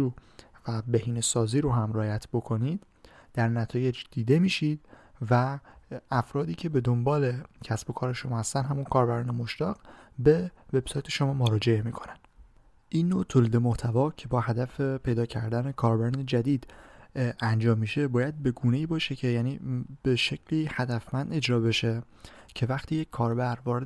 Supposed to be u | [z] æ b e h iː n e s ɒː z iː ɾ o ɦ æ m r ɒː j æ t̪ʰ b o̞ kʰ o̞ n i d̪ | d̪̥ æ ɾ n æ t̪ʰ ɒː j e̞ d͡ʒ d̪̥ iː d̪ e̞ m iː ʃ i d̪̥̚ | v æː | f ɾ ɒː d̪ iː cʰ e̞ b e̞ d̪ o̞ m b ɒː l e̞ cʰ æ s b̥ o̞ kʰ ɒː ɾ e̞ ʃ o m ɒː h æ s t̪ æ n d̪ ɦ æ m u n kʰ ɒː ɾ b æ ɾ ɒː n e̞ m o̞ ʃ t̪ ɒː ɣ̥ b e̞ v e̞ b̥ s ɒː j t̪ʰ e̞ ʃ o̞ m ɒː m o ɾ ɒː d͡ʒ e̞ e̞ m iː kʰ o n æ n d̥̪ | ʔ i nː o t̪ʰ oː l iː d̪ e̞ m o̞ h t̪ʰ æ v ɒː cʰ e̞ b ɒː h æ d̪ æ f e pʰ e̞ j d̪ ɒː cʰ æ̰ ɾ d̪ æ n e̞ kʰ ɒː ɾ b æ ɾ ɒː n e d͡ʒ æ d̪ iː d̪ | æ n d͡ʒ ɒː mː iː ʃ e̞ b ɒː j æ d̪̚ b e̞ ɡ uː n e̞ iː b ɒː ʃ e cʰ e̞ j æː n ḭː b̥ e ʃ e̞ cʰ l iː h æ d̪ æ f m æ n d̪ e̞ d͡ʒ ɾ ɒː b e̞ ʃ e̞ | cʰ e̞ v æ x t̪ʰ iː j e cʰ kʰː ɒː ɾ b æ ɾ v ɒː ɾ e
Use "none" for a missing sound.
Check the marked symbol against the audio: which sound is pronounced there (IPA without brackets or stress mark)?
v